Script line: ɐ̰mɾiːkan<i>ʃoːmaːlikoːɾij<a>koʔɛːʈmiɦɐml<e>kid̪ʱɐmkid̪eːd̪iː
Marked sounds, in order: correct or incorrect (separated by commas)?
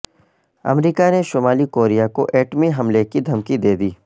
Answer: incorrect, correct, correct